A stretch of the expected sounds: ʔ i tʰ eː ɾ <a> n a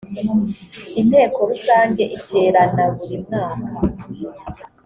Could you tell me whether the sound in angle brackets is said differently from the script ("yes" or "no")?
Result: no